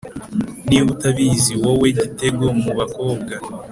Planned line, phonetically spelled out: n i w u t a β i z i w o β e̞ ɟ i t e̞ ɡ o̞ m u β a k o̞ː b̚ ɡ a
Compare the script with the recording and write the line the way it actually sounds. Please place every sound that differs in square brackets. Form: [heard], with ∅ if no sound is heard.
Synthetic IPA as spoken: n i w u t a β i z i w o [w] e̞ ɟ i t e̞ ɡ o̞ m u β a k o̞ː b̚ ɡ a